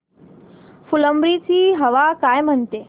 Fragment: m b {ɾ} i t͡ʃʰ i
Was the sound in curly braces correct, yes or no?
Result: yes